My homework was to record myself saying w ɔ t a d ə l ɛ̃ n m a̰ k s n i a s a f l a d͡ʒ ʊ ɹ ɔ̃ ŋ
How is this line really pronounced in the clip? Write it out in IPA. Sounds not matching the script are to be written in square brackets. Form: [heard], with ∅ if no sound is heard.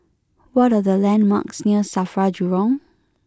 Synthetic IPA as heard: w ɔ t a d ə l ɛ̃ n m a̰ k s n i [ə] s a f [ɹ] a d͡ʒ [u] ɹ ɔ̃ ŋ